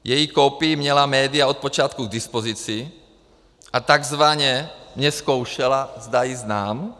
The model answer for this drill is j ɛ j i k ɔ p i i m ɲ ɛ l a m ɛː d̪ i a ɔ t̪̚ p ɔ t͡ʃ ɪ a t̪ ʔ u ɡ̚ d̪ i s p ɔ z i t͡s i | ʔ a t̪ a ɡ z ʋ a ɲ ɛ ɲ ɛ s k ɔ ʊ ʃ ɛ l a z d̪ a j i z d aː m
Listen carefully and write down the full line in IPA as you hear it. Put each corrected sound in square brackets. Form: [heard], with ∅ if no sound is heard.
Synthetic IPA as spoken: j ɛ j i k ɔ p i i m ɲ ɛ l a m ɛː d̪ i a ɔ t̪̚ p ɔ t͡ʃ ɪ a t̪ [k] u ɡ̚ d̪ i s p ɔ z i t͡s i | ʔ a t̪ a ɡ z ʋ a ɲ ɛ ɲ ɛ s k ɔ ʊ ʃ ɛ l a z d̪ a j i z [n] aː m